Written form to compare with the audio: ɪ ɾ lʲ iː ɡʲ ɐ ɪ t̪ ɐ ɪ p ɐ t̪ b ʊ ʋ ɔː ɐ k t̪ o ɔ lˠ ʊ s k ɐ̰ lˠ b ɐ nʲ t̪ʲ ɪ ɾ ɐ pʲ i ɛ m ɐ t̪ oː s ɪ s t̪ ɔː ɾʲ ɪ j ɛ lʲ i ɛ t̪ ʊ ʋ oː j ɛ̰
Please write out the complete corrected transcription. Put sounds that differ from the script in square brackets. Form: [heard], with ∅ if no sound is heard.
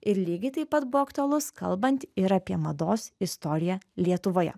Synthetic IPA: ɪ ɾ lʲ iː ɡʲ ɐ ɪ t̪ ɐ ɪ p ɐ t̪ b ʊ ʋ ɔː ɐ k t̪ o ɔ lˠ ʊ s k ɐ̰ lˠ b ɐ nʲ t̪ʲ ɪ ɾ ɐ pʲ i ɛ m ɐ [d̪] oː s ɪ s t̪ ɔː ɾʲ ɪ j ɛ lʲ i ɛ t̪ ʊ ʋ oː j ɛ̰